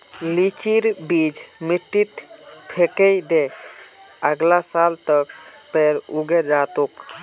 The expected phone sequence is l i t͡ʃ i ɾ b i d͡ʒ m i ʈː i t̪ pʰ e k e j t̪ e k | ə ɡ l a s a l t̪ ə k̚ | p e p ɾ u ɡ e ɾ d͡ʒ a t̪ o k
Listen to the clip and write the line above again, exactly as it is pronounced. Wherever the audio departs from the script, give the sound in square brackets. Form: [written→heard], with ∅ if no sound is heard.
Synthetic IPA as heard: l i t͡ʃ i ɾ b i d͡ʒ m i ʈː i t̪ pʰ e k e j [t̪→d̪] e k | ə ɡ l a s a l t̪ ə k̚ | p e [p→∅] ɾ u ɡ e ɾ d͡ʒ a t̪ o k